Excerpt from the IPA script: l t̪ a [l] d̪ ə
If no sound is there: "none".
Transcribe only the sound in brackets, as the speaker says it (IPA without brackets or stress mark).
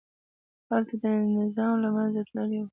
none